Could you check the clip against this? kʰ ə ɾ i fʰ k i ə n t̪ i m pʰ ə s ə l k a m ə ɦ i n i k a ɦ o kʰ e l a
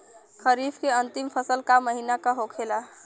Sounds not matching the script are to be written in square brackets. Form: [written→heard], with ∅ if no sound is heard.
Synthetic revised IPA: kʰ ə ɾ i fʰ k [i→e] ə n t̪ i m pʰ ə s ə l k a m ə ɦ i n [i→a] k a ɦ o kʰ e l a